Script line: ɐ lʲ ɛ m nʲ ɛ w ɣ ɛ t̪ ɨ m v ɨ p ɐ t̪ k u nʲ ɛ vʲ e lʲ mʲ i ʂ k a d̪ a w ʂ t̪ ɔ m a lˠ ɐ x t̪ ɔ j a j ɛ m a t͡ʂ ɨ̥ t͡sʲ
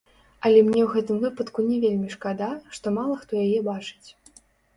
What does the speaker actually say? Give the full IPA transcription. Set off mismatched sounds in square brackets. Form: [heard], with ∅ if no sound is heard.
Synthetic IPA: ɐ lʲ ɛ m nʲ ɛ w ɣ ɛ t̪ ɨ m v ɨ p ɐ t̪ k u nʲ ɛ vʲ e lʲ mʲ i ʂ k a d̪ a [∅] ʂ t̪ ɔ m a lˠ ɐ x t̪ ɔ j a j ɛ [b] a t͡ʂ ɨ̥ t͡sʲ